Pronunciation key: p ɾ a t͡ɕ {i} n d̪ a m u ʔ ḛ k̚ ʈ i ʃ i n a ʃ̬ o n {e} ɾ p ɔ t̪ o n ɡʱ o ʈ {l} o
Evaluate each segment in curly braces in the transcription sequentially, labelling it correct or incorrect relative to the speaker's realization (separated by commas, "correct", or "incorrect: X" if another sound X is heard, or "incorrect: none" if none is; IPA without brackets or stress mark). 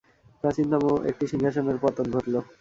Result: correct, correct, correct